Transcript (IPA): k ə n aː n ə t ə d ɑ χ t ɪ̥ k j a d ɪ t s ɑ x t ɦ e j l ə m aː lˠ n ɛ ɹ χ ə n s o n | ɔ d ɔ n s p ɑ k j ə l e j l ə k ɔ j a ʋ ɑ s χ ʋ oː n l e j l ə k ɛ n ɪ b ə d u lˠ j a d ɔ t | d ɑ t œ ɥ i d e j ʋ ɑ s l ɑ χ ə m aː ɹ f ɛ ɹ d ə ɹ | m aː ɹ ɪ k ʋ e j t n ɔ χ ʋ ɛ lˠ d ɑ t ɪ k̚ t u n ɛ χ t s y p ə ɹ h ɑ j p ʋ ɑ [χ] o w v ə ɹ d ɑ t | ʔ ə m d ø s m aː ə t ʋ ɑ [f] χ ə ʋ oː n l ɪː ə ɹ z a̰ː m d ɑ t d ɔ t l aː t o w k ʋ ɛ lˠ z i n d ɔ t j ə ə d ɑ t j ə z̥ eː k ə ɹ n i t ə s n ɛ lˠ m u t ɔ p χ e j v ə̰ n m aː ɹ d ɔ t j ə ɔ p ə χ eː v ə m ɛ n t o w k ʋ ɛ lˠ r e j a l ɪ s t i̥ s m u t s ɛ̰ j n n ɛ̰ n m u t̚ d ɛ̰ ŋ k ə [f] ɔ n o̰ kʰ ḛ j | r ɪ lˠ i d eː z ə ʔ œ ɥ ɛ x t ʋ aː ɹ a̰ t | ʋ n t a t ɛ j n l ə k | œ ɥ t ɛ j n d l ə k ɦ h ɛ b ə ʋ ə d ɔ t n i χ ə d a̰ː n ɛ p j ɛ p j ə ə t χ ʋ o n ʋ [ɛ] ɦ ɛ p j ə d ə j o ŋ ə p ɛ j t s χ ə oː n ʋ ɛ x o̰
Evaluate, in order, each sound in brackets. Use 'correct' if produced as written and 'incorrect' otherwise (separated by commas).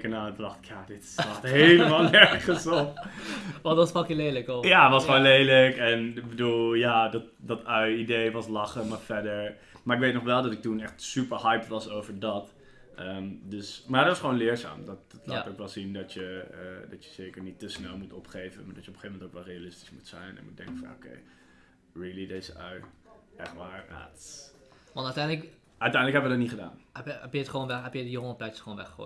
incorrect, incorrect, correct, correct